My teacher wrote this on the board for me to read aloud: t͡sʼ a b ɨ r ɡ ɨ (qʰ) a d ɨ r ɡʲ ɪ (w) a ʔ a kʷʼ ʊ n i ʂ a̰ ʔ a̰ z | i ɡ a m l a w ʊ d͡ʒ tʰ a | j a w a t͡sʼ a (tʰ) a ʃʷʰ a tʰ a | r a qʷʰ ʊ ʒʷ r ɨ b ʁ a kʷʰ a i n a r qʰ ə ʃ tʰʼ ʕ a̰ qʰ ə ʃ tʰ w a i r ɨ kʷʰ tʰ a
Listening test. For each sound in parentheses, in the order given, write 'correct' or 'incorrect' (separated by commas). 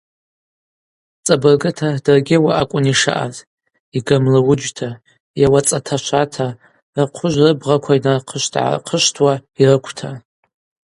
incorrect, correct, correct